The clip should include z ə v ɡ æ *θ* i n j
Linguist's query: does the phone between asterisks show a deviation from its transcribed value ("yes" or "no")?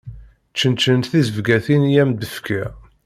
no